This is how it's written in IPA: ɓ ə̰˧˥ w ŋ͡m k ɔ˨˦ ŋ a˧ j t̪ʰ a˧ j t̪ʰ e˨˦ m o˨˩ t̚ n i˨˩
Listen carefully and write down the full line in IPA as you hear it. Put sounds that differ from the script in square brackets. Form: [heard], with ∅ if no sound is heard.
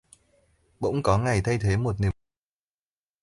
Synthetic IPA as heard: ɓ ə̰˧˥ w ŋ͡m k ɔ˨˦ ŋ [a˨˩] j t̪ʰ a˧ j t̪ʰ e˨˦ m o˨˩ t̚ n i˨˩